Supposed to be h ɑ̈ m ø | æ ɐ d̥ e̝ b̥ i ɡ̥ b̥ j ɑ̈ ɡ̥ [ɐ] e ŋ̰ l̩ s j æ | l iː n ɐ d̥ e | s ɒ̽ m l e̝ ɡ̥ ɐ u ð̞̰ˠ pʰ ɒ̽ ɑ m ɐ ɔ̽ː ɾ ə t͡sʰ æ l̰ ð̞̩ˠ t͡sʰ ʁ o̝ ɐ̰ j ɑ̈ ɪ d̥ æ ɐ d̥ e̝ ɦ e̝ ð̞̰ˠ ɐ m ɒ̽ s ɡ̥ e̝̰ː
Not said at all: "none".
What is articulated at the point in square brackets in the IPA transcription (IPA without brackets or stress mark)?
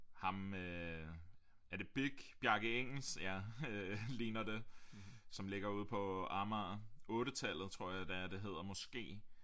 ə